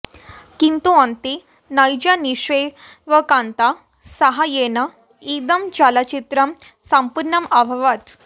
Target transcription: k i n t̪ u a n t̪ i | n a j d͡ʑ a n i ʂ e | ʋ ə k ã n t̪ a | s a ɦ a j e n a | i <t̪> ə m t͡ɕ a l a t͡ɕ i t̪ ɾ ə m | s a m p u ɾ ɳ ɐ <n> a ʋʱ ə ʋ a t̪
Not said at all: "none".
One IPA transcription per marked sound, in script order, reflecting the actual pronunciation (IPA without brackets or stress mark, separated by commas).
d̪, m